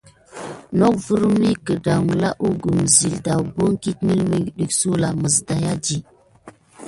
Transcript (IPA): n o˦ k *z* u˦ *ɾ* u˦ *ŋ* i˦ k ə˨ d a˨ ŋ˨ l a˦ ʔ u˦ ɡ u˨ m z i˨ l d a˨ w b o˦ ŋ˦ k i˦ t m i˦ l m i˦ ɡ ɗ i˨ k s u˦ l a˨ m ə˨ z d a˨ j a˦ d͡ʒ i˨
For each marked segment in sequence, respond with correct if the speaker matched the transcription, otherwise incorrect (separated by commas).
incorrect, correct, incorrect